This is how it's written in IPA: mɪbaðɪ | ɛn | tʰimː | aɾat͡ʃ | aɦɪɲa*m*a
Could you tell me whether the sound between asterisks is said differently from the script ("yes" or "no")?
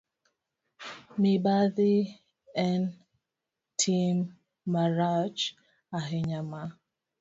no